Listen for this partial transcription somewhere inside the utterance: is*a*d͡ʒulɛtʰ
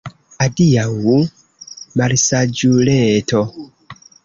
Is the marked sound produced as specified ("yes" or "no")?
yes